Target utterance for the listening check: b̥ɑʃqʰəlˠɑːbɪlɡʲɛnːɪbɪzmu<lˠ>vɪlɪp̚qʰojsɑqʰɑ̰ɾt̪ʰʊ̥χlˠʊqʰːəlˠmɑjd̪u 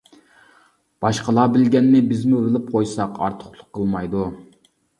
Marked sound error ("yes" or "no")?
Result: yes